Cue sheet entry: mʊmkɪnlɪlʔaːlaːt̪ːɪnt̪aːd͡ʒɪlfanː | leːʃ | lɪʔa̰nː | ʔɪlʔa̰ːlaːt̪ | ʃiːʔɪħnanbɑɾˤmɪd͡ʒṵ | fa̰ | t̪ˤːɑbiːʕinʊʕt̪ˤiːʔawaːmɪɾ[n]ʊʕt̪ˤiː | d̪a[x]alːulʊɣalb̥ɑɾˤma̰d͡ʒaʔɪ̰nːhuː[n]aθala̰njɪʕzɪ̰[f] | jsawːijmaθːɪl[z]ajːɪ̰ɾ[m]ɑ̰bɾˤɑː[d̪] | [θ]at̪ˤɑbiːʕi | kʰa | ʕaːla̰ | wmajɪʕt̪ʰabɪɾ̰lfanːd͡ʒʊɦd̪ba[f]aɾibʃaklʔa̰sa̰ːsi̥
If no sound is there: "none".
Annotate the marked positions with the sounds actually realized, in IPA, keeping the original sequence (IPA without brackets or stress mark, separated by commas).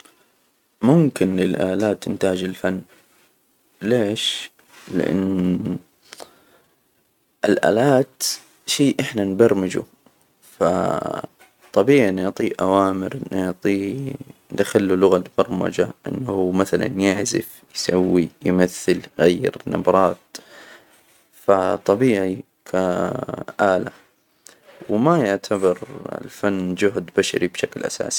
n, x, m, f, ɣ, n, t̪, f, ʃ